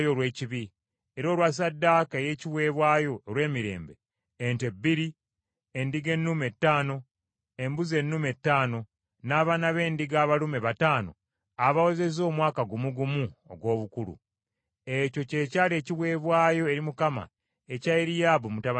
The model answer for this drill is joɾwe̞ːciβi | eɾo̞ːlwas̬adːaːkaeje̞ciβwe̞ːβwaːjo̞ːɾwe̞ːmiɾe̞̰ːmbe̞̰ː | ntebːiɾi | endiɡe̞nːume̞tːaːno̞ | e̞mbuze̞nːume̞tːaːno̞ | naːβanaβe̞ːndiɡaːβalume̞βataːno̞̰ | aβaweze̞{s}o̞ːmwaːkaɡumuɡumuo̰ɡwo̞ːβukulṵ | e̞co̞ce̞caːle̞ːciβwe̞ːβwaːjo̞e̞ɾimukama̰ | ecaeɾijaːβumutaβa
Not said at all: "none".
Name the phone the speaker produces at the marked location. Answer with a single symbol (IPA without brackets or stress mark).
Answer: z